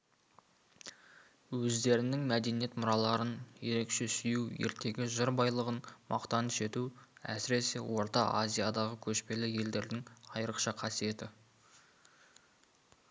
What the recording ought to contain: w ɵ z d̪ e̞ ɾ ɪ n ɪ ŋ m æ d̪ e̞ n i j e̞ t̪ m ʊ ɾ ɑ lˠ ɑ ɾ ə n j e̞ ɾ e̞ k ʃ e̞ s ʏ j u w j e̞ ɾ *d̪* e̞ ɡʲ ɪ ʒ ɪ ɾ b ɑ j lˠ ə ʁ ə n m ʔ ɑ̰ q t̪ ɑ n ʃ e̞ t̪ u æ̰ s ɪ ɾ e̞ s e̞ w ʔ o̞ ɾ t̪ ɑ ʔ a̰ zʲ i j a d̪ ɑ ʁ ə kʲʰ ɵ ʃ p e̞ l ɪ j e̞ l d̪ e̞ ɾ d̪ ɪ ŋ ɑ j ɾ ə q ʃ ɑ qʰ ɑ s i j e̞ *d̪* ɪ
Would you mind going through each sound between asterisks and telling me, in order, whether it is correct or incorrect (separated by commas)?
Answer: incorrect, incorrect